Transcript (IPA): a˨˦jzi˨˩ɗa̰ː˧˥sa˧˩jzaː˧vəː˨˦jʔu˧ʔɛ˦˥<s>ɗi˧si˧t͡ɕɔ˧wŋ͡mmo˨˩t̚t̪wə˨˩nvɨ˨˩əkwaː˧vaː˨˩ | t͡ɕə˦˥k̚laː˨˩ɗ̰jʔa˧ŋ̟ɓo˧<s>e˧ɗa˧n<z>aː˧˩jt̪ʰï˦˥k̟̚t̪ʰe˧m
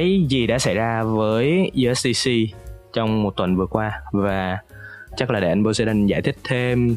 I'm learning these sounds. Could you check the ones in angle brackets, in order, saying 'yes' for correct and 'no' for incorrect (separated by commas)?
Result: yes, yes, yes